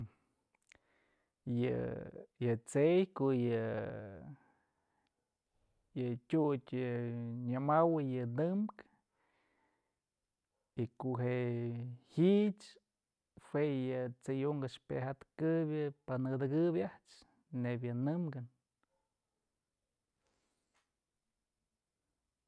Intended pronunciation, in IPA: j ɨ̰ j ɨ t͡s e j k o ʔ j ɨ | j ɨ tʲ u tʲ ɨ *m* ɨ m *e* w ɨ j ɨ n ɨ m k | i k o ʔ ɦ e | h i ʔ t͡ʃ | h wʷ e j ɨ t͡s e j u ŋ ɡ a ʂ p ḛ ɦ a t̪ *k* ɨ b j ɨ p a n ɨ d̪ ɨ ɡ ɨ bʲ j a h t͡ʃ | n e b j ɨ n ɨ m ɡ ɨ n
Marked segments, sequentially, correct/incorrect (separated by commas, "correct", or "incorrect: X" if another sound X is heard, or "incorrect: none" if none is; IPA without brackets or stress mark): incorrect: ɲ, incorrect: a, correct